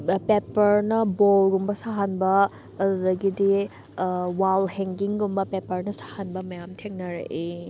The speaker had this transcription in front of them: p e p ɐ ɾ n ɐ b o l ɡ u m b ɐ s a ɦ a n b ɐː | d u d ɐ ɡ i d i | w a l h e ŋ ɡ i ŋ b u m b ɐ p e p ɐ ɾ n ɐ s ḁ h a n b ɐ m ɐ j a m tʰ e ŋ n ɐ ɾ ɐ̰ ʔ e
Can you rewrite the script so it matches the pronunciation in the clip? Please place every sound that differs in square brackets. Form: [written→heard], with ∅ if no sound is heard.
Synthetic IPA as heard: p e p ɐ ɾ n ɐ b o l ɡ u m b ɐ s a ɦ a n b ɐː | d u d ɐ ɡ i d i | w a l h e ŋ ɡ i ŋ [b→ɡ] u m b ɐ p e p ɐ ɾ n ɐ s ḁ h a n b ɐ m ɐ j a m tʰ e ŋ n ɐ ɾ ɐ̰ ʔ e